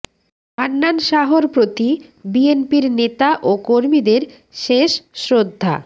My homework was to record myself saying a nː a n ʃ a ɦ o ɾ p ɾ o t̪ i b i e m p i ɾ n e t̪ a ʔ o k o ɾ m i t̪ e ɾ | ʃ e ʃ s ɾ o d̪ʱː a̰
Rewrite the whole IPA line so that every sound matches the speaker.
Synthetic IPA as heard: a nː a n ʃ a ɦ o ɾ p ɾ o t̪ i b i e n p i ɾ n e t̪ a ʔ o k o ɾ m i d̪ e ɾ | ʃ e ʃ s ɾ o d̪ʱː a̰